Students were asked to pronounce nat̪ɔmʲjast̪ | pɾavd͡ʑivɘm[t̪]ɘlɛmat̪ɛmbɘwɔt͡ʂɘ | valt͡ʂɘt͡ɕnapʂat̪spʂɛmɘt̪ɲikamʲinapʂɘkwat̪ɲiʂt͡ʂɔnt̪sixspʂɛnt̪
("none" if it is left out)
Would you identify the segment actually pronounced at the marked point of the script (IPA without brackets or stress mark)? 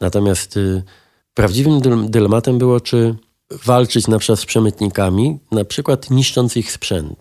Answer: d̪